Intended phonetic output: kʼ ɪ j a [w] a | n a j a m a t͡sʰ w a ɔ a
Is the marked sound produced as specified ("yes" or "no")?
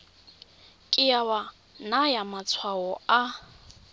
yes